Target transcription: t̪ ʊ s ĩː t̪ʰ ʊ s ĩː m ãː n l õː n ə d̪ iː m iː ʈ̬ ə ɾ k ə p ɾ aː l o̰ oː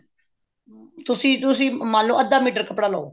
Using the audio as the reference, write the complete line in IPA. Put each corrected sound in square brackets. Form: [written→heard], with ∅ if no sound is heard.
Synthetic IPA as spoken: t̪ ʊ s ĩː [t̪ʰ→t̪] ʊ s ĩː m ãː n l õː [n→∅] ə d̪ [iː→aː] m iː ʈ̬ ə ɾ k ə p [ɾ→ɽ] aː l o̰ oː